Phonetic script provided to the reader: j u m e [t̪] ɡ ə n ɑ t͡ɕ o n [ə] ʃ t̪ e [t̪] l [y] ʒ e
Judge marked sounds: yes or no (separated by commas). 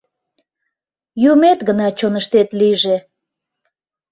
yes, yes, yes, no